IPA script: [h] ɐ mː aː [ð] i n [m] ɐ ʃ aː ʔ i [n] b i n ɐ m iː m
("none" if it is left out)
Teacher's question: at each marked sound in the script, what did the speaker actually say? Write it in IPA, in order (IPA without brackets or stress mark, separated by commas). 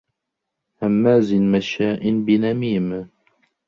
h, z, m, n